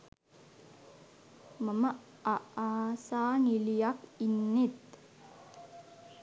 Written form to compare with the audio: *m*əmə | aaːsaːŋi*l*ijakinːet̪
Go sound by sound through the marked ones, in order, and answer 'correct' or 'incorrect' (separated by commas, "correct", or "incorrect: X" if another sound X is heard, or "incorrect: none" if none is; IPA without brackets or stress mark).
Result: correct, correct